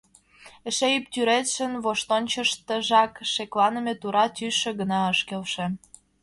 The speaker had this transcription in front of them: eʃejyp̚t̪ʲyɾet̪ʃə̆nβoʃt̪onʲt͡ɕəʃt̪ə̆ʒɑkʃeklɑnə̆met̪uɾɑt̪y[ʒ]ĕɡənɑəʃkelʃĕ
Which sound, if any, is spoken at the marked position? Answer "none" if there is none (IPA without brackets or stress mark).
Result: ʃ